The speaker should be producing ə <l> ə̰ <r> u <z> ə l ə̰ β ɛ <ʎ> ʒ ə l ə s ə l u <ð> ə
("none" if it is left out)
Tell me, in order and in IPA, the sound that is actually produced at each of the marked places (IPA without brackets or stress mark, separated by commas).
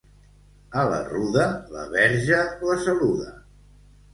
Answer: l, r, ð, ɾ, ð